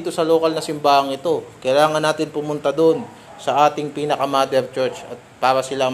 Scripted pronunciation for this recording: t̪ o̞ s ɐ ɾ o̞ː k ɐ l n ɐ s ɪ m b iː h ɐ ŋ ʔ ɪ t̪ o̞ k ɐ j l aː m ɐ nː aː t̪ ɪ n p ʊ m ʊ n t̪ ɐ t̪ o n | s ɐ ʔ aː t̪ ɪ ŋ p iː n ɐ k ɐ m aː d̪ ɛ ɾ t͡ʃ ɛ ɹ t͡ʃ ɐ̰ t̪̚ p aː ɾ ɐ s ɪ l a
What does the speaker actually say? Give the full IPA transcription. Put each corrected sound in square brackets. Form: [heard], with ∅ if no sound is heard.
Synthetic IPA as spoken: t̪ o̞ s ɐ [l] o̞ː k ɐ l n ɐ s ɪ m b [aː] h ɐ ŋ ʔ ɪ t̪ o̞ k ɐ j l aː [ŋ] ɐ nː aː t̪ ɪ n p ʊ m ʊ n t̪ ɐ [d̪] o n | s ɐ ʔ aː t̪ ɪ ŋ p iː n ɐ k ɐ m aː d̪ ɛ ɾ t͡ʃ ɛ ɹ t͡ʃ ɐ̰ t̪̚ p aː ɾ ɐ s ɪ l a